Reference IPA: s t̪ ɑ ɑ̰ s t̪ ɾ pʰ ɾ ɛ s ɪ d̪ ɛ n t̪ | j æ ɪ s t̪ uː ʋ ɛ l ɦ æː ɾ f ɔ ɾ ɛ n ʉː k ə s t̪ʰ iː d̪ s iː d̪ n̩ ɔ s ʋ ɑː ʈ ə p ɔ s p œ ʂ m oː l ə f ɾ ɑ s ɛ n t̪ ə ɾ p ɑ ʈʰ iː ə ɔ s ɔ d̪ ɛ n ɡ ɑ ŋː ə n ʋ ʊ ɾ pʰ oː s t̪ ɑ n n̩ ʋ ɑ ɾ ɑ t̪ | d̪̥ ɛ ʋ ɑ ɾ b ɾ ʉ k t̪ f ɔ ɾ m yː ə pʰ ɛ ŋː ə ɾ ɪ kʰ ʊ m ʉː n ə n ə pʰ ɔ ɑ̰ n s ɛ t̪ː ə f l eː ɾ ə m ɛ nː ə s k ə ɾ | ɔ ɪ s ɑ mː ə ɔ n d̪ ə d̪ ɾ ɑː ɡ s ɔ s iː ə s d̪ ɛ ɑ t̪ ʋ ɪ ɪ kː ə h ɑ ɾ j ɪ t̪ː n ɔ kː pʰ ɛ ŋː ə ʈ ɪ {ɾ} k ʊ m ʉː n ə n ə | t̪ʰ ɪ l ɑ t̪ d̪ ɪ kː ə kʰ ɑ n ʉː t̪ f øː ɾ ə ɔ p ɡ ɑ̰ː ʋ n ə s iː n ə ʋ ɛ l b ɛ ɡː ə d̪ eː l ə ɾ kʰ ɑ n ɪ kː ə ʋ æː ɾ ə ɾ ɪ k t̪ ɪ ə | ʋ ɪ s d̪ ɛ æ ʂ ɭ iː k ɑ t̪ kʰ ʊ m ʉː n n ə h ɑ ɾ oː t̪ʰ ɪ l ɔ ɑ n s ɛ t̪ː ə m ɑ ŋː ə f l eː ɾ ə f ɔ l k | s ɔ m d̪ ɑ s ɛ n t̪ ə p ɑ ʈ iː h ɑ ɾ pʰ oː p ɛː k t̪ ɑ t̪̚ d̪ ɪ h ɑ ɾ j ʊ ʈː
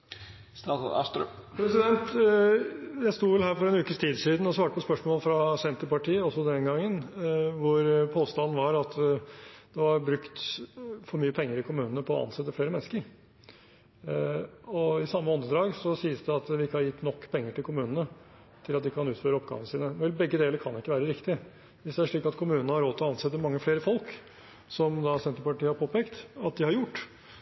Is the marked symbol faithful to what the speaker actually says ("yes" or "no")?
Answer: no